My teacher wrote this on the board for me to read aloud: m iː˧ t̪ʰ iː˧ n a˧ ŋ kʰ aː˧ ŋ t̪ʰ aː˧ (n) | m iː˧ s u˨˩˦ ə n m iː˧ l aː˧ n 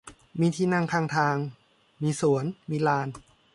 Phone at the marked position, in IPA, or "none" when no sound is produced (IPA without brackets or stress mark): ŋ